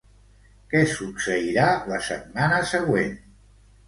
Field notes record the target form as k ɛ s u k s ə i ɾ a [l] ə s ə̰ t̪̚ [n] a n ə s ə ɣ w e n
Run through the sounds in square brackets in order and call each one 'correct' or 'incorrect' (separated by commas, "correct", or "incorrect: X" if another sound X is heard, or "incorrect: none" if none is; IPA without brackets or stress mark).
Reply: correct, incorrect: m